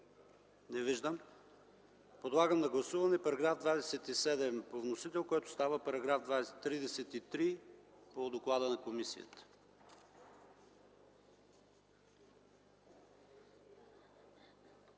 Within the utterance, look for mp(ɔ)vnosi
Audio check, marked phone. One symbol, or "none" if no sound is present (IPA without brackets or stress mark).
o